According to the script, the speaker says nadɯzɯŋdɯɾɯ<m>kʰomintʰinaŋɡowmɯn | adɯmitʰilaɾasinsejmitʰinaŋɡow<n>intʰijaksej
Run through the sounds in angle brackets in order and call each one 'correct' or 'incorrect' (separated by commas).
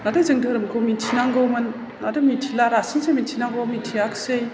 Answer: correct, incorrect